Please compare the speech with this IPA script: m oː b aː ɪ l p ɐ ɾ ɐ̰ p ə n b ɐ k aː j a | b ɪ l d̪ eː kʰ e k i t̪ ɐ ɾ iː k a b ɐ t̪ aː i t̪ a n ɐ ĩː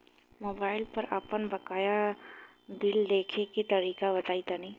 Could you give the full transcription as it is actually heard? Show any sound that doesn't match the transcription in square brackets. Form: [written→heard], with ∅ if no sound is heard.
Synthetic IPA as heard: m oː b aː ɪ l p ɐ ɾ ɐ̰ p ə n b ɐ k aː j a | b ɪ l d̪ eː kʰ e k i t̪ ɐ ɾ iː k a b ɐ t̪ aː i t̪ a n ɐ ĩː